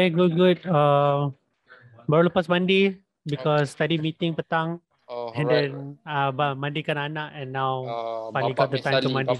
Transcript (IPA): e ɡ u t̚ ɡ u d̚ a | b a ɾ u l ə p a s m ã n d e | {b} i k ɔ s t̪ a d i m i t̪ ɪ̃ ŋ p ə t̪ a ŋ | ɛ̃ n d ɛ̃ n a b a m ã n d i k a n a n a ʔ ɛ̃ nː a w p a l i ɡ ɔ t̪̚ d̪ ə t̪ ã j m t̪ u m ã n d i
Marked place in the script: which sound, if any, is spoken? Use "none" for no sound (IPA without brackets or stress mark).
b